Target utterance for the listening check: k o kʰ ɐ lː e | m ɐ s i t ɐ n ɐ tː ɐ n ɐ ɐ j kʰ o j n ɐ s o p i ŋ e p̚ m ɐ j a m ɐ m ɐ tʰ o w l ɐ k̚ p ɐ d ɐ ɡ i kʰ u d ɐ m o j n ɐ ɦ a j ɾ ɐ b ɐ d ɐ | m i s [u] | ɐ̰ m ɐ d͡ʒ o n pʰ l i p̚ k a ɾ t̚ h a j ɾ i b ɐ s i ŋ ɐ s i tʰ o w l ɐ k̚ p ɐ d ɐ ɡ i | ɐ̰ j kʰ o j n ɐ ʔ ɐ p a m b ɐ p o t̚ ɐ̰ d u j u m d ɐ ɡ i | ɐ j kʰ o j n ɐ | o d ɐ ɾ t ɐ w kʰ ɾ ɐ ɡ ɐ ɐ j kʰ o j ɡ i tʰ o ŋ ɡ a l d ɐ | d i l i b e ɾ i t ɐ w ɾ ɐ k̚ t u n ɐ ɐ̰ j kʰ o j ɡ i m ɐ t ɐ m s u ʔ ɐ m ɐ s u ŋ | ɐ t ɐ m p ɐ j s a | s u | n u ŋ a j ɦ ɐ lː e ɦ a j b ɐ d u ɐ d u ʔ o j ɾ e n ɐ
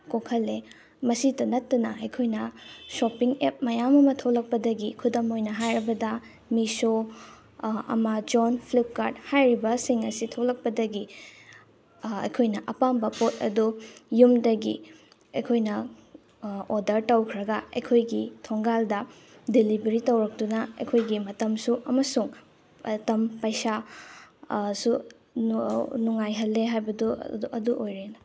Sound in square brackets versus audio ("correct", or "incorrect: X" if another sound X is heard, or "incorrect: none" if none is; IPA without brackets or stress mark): incorrect: o